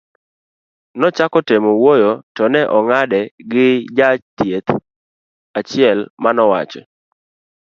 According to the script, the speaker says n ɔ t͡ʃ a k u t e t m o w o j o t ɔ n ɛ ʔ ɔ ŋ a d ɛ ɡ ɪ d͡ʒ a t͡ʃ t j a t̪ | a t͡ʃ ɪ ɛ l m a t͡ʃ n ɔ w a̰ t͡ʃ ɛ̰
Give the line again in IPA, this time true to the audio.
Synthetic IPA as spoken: n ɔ t͡ʃ a k ɔ t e m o w o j o t ɔ n ɛ ʔ ɔ ŋ a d ɛ ɡ ɪ d͡ʒ a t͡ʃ t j e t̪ | a t͡ʃ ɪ ɛ l m a n ɔ w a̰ t͡ʃ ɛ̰